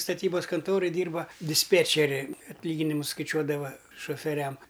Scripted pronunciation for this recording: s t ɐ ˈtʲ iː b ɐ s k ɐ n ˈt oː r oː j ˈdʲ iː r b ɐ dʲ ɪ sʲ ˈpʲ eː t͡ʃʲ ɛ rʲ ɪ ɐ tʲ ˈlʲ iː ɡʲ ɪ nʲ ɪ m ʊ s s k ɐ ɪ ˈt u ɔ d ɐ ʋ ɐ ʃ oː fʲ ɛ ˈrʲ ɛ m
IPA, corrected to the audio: s t ɐ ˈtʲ iː b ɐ s k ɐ n ˈt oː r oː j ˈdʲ iː r b ɐ dʲ ɪ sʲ ˈpʲ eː t͡ʃʲ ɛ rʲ ɪ ɐ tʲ ˈlʲ iː ɡʲ ɪ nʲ ɪ m ʊ s s k ɐ ɪ ˈt͡ʃʲ u ɔ d ɐ ʋ ɐ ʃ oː fʲ ɛ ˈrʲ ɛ m